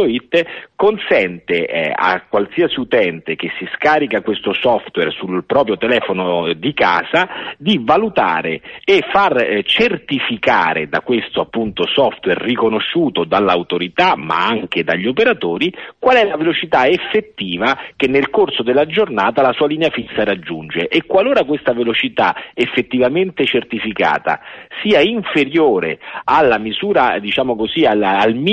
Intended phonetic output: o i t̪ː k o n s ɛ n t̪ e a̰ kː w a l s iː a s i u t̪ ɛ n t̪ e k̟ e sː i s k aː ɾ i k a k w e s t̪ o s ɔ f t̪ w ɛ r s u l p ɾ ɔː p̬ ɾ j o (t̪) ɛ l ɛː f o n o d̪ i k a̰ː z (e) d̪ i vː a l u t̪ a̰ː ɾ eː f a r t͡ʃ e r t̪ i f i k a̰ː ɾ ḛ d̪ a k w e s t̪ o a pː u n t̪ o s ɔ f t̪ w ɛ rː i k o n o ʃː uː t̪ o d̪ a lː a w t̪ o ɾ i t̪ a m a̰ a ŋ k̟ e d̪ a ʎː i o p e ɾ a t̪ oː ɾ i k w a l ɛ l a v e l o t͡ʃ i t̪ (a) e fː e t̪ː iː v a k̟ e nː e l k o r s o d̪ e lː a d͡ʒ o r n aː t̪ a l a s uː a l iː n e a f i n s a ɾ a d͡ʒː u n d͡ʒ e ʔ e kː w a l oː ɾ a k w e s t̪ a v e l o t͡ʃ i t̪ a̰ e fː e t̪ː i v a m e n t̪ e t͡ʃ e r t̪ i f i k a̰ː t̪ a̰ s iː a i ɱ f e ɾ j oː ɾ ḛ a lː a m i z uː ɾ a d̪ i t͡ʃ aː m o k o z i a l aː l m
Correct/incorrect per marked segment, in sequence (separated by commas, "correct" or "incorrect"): correct, incorrect, correct